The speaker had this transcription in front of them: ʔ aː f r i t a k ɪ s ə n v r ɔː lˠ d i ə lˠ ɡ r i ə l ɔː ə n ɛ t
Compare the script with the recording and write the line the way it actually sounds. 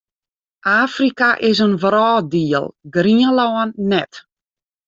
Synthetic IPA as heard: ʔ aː f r i k a ʔ ɪ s ə n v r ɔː d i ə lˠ ɡ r i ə l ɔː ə nː ɛ t